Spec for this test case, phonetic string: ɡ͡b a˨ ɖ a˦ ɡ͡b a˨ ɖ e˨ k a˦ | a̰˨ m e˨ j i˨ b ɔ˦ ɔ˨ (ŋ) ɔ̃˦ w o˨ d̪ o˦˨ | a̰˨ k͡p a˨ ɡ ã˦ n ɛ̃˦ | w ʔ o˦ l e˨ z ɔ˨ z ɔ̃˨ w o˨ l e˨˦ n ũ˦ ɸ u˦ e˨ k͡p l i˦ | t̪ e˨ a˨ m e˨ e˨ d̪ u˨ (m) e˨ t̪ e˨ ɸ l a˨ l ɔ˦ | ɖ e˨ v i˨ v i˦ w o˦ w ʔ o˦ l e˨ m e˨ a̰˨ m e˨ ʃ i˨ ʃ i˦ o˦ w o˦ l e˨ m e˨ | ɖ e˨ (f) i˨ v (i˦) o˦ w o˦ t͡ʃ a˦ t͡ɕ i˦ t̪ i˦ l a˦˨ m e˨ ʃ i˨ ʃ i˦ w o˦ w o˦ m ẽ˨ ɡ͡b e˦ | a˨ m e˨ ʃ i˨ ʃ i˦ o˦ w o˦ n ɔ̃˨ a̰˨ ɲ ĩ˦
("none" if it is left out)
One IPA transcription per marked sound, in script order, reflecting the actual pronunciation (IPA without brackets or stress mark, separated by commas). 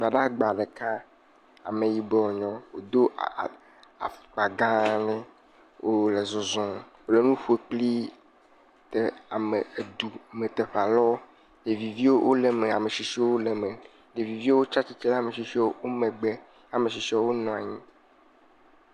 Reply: ɲ, m, v, i˦